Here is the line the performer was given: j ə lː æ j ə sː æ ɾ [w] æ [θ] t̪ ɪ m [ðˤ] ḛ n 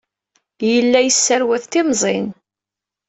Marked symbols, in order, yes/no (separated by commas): yes, yes, no